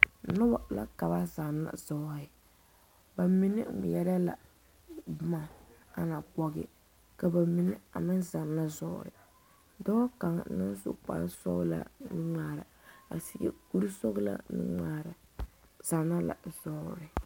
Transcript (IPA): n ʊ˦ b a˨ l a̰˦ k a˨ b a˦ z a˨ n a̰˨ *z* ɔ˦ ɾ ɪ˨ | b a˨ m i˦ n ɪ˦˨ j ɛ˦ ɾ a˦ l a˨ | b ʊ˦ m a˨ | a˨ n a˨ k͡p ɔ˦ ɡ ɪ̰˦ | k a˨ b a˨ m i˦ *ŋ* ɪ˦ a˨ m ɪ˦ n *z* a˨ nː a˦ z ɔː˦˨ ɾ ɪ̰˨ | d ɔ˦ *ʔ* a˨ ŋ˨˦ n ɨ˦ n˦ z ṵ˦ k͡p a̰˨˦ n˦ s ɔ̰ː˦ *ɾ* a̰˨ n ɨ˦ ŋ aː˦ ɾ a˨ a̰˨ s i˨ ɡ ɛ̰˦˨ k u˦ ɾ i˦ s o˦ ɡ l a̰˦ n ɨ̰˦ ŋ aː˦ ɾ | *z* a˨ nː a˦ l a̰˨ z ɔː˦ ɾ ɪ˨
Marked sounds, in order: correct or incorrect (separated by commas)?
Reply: correct, incorrect, correct, incorrect, incorrect, correct